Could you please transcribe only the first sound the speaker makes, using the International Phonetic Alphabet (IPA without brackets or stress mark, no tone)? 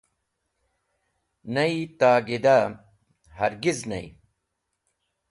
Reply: n